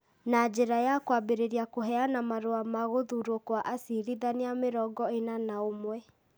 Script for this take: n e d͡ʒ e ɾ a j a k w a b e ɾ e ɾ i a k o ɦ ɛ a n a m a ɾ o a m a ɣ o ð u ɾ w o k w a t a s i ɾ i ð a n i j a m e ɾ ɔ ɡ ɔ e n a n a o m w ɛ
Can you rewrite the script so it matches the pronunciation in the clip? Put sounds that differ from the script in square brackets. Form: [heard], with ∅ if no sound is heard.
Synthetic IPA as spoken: n [a] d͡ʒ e ɾ a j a k w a b e ɾ e ɾ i a k o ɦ ɛ a n a m a ɾ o a m a ɣ o ð u ɾ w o k w a [ʔ] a s i ɾ i ð a n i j a m e ɾ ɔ ɡ ɔ e n a n a o m w ɛ